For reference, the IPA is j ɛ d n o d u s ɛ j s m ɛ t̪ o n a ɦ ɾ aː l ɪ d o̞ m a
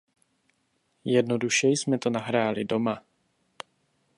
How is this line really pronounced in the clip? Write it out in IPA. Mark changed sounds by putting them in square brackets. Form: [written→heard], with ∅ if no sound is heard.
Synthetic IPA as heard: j ɛ d n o d u [s→ʃ] ɛ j s m ɛ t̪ o n a ɦ ɾ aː l ɪ d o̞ m a